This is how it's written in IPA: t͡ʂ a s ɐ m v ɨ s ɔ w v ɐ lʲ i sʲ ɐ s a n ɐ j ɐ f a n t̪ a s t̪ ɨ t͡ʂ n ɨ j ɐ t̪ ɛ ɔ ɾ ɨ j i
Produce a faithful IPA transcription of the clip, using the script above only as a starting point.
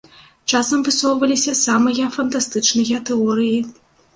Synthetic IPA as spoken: t͡ʂ a s ɐ m v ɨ s ɔ w v ɐ lʲ i sʲ ɐ s a m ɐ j ɐ f ɐ n t̪ a s t̪ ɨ t͡ʂ n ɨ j ɐ t̪ ɛ ɔ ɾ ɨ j i